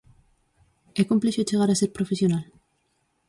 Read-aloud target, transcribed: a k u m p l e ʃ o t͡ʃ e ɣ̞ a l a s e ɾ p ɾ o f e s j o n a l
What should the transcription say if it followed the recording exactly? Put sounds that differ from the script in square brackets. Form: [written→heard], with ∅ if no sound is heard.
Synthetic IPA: [a→e] k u m p l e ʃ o t͡ʃ e ɣ̞ a [l→ɾ] a s e ɾ p ɾ o f e s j o n a l